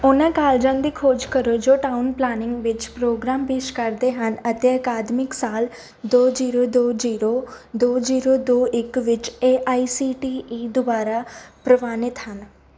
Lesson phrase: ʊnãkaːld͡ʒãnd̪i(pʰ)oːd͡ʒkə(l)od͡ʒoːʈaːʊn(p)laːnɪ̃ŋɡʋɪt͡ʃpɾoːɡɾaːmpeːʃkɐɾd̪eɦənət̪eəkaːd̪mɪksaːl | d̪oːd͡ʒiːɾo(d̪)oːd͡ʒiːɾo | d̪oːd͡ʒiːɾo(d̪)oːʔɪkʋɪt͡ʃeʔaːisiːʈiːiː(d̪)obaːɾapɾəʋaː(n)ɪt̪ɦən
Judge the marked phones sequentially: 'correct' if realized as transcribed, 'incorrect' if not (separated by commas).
incorrect, incorrect, correct, correct, correct, correct, correct